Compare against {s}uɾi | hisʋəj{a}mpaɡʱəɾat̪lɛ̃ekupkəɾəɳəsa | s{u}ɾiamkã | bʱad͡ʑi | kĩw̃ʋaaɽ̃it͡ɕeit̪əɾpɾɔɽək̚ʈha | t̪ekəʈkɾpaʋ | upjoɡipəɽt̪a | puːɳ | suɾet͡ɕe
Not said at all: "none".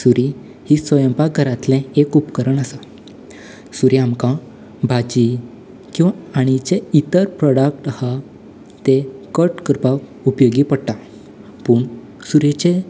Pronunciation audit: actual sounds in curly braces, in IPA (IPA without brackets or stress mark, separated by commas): s, ə, u